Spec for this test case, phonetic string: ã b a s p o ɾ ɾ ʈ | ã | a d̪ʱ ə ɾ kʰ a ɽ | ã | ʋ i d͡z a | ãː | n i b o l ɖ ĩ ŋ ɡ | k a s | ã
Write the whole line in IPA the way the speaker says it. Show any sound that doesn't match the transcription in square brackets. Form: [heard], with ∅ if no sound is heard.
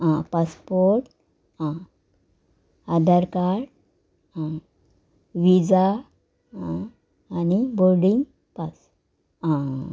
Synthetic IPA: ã [p] a s p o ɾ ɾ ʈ | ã | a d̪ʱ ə ɾ [k] a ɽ | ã | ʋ i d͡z a | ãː | n i b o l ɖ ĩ ŋ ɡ | [p] a s | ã